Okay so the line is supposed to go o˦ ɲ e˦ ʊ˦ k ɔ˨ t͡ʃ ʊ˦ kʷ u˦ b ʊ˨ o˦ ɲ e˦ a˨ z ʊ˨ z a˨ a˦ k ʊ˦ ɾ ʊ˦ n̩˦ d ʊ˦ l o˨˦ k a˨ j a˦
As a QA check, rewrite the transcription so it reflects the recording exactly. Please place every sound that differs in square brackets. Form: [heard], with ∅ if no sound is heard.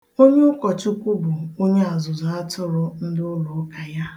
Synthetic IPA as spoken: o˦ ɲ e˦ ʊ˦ k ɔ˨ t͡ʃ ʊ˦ kʷ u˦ b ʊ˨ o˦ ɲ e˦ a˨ z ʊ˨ z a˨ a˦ [t] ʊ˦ ɾ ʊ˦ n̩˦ d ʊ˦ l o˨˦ k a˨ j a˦